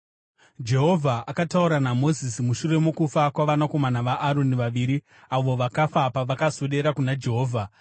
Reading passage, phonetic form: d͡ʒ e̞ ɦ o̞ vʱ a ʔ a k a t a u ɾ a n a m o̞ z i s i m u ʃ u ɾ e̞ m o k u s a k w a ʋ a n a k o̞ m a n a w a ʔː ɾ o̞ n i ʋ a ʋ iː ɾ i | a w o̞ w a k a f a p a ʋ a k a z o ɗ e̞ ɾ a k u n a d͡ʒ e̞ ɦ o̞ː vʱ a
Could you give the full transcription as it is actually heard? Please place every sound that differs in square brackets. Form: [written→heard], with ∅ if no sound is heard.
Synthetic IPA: d͡ʒ e̞ ɦ o̞ vʱ a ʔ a k a t a u ɾ a n a m o̞ z i s i m u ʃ u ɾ e̞ m o k u [s→f] a k w a ʋ a n a k o̞ m a n a [w→ʋ] a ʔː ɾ o̞ n i ʋ a ʋ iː ɾ i | a [w→ʋ] o̞ [w→ʋ] a k a f a p a ʋ a k a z o ɗ e̞ ɾ a k u n a d͡ʒ e̞ ɦ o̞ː vʱ a

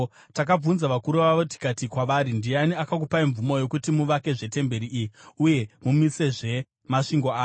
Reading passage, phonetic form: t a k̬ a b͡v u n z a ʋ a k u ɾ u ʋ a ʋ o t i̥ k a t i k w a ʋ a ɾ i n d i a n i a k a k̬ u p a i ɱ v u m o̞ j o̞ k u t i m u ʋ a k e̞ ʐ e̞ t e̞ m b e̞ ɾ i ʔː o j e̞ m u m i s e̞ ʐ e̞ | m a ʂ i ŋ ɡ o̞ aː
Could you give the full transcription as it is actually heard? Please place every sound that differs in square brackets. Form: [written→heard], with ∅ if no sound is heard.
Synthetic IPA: t a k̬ a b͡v u n z a ʋ a k u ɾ u ʋ a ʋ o t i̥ k a t i k w a ʋ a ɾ i n d i a n i a k a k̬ u p a i ɱ v u m o̞ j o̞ k u t i m u ʋ a k e̞ ʐ e̞ t e̞ m b e̞ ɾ i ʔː [o→u] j e̞ m u m i s e̞ ʐ e̞ | m a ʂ i ŋ ɡ o̞ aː

